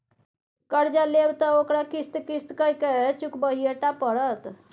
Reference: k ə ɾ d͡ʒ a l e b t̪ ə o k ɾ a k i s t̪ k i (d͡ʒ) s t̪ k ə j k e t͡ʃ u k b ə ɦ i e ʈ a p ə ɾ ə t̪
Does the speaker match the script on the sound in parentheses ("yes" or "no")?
no